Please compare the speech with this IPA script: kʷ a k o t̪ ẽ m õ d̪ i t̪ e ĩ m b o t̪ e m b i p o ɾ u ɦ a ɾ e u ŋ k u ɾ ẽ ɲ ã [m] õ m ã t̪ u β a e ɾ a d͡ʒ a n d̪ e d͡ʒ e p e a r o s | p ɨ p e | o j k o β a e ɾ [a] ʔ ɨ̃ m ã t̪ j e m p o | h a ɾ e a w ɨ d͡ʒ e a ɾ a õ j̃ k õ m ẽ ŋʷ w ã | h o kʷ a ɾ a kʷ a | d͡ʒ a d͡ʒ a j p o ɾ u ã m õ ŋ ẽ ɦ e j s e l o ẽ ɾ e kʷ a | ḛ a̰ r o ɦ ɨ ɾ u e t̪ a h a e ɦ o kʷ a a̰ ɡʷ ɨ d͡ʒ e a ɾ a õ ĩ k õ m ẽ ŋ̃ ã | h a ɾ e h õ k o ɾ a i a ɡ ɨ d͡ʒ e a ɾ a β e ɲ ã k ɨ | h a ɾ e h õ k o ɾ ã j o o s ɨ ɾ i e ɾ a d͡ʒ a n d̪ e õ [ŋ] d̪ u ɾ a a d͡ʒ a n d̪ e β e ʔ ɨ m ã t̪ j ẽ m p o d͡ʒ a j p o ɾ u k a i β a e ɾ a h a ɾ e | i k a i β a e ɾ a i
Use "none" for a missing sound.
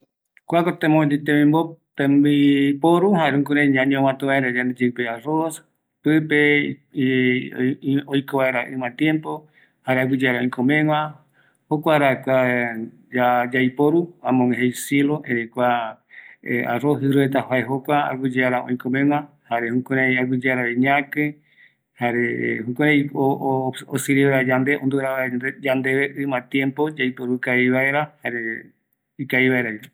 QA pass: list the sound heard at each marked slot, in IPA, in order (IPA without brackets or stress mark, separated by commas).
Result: ɲ, a, n